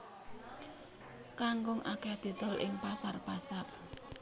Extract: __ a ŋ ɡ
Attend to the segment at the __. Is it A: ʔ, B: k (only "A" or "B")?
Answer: B